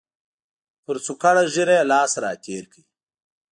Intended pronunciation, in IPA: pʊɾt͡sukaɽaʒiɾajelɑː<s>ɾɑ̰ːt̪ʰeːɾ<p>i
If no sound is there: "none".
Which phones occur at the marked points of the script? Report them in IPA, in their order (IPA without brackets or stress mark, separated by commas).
s, k